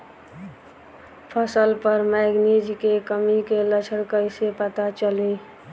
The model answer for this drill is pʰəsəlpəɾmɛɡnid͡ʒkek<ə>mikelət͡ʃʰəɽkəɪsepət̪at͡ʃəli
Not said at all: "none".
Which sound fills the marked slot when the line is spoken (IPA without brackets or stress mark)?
ə